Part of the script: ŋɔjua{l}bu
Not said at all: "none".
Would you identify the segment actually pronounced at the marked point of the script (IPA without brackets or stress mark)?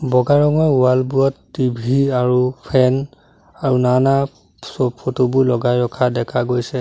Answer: l